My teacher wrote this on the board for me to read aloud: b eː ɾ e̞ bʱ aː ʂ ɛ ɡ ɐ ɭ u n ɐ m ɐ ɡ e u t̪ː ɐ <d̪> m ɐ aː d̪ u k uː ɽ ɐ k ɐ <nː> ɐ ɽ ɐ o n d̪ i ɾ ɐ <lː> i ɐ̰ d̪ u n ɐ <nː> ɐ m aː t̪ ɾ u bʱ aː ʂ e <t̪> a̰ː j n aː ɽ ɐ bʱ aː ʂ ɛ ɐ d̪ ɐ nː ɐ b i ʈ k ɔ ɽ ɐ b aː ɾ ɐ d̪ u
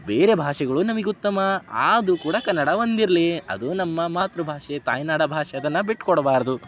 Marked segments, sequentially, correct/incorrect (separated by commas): incorrect, correct, incorrect, incorrect, correct